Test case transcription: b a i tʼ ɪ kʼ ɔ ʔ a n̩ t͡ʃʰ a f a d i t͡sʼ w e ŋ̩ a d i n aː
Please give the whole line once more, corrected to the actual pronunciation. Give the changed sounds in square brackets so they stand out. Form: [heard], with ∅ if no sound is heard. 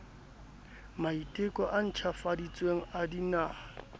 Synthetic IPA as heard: [m] a i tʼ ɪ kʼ ɔ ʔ a n̩ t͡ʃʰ a f a d i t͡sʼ w e ŋ̩ a d i n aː

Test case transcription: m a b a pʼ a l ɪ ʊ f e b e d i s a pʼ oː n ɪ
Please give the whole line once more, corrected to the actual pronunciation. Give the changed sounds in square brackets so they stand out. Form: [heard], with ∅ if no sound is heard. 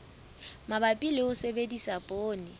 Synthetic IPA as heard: m a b a pʼ [i] l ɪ ʊ [s] e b e d i s a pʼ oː n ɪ

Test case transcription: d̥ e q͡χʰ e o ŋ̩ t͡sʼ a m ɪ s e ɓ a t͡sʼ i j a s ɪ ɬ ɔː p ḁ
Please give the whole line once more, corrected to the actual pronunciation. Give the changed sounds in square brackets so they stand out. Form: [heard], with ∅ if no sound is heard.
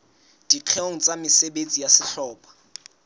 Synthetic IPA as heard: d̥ [i] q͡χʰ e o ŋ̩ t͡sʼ a m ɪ s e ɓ [e] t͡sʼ i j a s ɪ ɬ ɔː p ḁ

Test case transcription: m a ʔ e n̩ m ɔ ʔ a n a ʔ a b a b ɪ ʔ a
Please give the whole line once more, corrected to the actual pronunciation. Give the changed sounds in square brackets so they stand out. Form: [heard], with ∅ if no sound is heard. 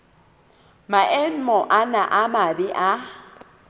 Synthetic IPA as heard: m a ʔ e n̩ m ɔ ʔ a n a ʔ a [m] a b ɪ ʔ a

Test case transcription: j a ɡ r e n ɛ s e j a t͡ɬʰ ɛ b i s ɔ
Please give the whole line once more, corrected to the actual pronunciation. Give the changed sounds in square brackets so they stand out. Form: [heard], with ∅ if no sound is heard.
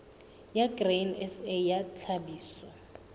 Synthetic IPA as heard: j a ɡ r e n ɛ s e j a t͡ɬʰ [a] b [iː] s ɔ

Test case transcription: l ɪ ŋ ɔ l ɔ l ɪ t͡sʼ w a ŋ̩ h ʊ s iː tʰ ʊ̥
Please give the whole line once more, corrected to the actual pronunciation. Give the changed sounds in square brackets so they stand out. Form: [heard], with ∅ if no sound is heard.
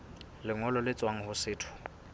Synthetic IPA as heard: l ɪ ŋ ɔ l ɔ l ɪ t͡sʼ w a ŋ̩ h ʊ s [ɪː] tʰ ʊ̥

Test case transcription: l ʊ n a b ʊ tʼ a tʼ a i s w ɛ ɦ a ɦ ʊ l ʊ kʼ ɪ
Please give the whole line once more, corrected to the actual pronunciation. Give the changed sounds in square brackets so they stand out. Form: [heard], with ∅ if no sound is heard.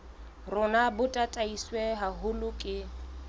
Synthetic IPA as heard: [r] ʊ n a b ʊ tʼ a tʼ a i s w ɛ ɦ a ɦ ʊ l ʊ kʼ ɪ

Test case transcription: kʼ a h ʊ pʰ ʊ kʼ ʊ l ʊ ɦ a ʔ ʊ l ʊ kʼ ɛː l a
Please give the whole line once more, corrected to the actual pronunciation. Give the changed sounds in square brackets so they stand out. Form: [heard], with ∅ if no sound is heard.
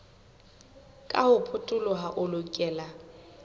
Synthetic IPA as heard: kʼ a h ʊ pʰ ʊ [tʼ] ʊ l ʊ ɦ a ʔ ʊ l ʊ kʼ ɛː l a

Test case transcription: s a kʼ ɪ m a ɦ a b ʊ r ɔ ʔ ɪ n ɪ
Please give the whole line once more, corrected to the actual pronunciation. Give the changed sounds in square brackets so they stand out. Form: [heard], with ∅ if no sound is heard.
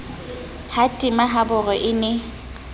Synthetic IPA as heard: [h] a [tʼ] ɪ m a ɦ a b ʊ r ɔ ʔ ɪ n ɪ

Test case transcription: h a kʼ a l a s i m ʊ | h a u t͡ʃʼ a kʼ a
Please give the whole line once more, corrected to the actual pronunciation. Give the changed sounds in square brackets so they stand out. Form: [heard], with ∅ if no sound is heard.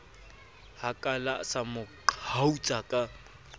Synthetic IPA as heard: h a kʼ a l a s [a] m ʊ | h a u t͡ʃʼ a kʼ a

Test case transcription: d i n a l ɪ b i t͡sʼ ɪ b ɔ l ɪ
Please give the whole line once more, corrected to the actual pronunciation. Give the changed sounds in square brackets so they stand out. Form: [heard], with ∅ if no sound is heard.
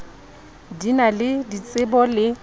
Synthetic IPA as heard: d i n a l ɪ [d] i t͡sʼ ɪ b ɔ l ɪ

